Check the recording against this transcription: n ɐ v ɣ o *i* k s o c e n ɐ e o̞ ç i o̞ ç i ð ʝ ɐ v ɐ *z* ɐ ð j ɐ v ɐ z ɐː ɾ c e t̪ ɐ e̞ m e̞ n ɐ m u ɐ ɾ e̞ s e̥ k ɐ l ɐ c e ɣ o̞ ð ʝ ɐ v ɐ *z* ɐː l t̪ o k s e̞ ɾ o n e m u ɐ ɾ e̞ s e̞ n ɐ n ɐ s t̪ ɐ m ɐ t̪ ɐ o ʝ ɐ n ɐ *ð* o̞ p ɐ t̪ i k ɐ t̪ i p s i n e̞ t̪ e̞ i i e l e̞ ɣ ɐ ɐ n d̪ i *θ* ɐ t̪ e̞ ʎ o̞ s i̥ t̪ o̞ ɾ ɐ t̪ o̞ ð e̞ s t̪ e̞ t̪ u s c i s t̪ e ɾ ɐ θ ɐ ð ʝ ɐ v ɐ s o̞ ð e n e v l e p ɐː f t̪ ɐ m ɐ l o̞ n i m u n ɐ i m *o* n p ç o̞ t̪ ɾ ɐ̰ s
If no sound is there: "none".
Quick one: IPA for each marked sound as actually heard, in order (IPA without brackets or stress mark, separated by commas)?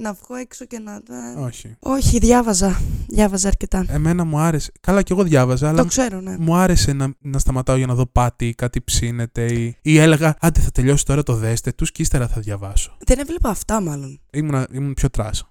e, z, z, ð, θ, u